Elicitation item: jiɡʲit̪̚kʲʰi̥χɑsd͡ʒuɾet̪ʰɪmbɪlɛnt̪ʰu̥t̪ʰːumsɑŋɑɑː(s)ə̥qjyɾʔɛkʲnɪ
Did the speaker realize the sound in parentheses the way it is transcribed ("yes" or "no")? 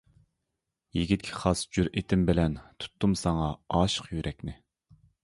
no